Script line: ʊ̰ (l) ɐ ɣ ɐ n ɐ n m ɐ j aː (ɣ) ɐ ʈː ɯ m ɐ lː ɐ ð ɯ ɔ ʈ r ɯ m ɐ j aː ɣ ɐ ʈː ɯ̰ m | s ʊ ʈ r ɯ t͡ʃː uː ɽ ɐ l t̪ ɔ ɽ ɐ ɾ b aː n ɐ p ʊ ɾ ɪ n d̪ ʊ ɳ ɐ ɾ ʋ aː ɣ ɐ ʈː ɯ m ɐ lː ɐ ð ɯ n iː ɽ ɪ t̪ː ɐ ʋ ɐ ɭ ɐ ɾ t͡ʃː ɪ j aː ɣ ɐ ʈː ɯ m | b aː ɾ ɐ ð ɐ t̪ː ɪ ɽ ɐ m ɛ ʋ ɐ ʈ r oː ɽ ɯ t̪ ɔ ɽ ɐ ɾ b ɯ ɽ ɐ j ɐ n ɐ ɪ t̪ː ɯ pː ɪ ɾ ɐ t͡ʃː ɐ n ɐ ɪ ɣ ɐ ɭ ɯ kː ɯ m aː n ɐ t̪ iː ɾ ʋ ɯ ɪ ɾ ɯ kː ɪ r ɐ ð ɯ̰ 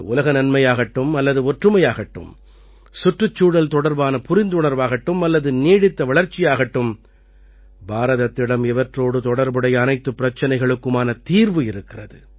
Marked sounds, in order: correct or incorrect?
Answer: correct, correct

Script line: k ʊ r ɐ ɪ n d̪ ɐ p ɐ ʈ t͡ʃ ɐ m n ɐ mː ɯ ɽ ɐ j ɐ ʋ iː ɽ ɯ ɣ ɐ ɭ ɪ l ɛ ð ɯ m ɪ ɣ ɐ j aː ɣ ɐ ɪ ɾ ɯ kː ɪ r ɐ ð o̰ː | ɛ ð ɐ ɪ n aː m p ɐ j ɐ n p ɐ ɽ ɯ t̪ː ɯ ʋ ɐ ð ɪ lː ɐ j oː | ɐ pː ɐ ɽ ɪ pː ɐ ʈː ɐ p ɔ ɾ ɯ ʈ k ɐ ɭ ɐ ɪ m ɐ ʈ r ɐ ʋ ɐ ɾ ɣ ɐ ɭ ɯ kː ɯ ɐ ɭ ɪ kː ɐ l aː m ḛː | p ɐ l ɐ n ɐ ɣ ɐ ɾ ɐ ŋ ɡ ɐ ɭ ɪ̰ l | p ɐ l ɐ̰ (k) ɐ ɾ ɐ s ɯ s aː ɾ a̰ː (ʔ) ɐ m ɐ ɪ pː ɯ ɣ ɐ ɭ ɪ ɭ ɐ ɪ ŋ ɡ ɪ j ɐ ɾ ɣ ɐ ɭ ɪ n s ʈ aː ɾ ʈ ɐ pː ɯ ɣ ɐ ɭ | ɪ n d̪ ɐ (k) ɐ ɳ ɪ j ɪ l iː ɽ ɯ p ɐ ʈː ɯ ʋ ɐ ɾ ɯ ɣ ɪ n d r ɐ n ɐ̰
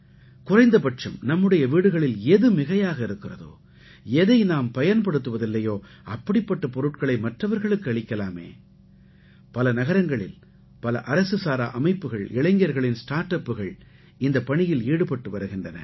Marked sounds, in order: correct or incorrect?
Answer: incorrect, correct, incorrect

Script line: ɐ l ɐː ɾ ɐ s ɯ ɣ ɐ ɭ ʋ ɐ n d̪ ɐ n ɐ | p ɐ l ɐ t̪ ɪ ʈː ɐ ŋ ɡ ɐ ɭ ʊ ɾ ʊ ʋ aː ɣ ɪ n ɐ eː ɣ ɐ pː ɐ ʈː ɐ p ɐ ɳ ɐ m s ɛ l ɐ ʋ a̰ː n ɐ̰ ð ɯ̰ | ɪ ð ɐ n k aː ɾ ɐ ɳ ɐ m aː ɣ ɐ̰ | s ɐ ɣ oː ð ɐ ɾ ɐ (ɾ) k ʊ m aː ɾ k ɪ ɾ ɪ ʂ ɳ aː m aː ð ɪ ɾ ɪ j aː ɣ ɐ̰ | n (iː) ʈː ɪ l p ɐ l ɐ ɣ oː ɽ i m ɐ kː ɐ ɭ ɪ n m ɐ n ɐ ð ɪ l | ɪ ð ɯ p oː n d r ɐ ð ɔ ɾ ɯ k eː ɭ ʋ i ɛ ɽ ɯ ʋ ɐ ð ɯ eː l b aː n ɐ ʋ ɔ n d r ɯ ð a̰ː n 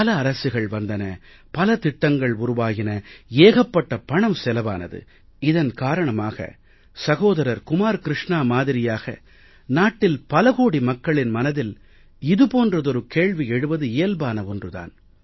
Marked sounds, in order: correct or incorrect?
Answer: correct, incorrect

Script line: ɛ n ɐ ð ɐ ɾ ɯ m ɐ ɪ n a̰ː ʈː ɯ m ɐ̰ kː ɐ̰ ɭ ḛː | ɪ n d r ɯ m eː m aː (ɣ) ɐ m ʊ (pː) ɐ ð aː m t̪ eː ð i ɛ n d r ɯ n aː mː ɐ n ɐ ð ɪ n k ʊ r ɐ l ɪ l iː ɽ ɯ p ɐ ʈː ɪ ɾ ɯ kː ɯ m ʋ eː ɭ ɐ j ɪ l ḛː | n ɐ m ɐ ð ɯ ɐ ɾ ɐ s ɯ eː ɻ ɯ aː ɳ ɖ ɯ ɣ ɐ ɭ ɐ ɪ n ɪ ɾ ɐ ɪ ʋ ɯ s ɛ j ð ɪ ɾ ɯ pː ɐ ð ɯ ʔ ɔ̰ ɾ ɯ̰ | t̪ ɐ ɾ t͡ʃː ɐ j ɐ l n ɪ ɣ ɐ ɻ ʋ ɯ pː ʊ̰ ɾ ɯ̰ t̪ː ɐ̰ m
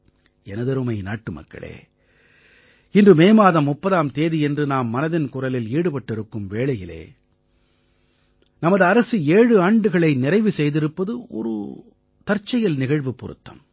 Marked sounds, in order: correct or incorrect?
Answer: incorrect, correct

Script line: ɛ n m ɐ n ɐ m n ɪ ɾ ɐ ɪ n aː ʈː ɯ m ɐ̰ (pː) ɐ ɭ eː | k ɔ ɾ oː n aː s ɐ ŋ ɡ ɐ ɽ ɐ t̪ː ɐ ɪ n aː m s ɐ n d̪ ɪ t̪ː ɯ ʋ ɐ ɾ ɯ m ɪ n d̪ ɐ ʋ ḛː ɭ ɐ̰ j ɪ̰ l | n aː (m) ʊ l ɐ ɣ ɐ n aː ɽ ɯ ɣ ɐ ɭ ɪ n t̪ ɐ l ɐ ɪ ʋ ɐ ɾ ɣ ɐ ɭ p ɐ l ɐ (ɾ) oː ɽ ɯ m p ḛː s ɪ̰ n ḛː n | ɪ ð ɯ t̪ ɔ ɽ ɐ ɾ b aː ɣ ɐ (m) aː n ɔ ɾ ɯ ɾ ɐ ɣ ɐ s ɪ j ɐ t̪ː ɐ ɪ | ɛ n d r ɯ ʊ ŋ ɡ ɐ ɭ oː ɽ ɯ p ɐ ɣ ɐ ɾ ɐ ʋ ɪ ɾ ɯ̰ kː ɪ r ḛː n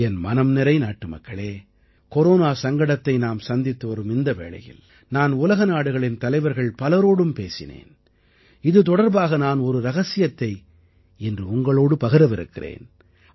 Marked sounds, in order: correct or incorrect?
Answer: incorrect, incorrect, correct, incorrect

